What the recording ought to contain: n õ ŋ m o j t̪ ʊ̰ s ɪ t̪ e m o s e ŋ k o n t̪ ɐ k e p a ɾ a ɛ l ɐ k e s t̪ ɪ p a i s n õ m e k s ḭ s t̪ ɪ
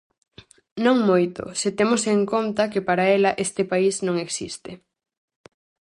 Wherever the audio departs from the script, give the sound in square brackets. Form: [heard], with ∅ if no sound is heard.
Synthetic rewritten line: n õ ŋ m o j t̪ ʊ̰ s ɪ t̪ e m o s e ŋ k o n t̪ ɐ k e p a ɾ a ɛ l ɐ [ʔ] e s t̪ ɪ p a i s n õ [ŋ] e k s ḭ s t̪ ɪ